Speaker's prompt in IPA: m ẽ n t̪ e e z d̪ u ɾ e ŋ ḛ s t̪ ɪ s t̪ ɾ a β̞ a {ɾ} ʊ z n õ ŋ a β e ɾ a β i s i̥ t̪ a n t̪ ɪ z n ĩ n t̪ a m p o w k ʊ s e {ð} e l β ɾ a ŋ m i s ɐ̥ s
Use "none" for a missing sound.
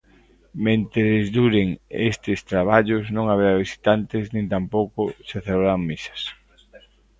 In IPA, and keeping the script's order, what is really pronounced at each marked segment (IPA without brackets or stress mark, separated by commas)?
ʎ, θ